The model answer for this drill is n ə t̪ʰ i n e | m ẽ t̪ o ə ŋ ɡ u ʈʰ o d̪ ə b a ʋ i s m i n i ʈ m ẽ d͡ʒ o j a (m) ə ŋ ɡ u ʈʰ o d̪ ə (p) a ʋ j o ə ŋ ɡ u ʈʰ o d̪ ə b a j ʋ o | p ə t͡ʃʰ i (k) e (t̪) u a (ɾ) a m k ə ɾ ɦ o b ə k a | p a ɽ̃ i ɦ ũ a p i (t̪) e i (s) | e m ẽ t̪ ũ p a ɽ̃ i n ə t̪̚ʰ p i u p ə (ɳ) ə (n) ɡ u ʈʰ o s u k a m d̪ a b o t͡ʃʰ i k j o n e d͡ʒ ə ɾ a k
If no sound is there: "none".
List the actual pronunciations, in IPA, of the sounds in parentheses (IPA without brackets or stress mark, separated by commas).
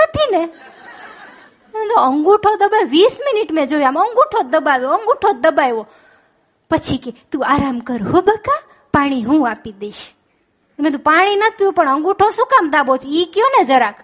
m, b, k, t̪, ɾ, d̪, ʃ, ɳ, ŋ